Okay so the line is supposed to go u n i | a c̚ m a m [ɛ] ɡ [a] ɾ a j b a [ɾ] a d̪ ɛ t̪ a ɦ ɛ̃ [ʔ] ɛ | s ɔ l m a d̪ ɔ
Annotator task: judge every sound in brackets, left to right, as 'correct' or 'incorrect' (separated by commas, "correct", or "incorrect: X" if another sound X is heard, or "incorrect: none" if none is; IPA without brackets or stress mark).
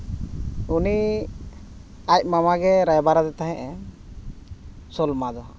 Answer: incorrect: a, incorrect: ɛ, correct, correct